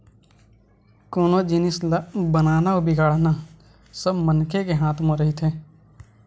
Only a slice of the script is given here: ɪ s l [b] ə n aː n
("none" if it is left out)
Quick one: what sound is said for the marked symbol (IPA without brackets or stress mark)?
b